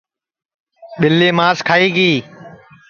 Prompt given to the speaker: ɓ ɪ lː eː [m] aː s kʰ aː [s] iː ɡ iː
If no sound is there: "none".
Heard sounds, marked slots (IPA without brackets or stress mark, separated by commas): m, none